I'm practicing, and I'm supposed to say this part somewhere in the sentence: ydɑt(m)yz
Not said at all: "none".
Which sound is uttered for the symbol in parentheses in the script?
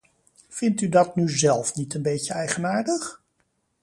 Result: n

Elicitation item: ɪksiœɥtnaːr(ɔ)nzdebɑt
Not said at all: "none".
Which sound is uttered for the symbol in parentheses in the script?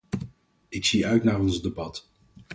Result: ɔ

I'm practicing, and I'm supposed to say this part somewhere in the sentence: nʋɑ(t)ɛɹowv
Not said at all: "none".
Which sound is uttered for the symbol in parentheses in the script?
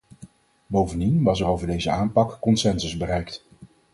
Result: s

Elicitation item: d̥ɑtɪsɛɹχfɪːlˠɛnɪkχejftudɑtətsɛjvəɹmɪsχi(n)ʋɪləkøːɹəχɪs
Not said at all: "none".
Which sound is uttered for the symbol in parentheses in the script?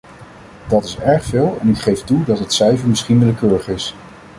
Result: n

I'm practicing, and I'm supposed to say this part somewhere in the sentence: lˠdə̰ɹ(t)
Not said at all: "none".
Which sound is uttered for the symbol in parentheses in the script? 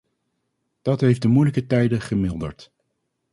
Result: t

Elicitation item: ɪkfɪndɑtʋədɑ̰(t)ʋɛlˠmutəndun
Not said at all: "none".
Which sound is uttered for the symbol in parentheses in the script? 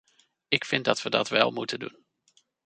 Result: t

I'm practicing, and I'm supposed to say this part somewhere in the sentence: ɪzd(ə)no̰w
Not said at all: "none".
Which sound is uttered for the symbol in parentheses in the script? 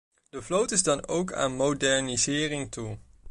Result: ɑ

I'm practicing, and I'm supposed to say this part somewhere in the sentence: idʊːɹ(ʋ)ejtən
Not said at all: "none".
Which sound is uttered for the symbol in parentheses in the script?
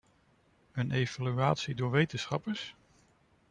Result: ʋ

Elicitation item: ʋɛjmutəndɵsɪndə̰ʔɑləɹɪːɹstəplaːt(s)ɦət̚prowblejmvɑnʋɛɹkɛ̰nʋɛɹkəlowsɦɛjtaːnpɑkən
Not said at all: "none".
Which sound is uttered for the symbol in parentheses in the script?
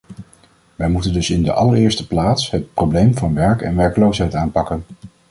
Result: s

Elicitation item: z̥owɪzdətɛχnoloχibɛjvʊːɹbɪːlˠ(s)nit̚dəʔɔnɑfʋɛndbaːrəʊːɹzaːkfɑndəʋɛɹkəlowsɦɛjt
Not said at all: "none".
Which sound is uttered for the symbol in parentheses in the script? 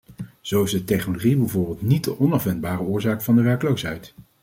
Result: t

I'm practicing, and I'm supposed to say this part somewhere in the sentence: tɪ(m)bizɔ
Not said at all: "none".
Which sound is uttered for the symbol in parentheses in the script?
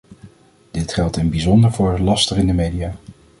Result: n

